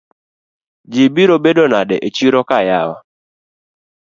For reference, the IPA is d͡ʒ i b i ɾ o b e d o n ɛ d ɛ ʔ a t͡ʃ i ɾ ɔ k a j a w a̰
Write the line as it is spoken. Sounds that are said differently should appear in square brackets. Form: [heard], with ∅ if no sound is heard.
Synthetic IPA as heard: d͡ʒ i b i ɾ o b e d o n [a] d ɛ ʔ [e] t͡ʃ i ɾ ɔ k a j a w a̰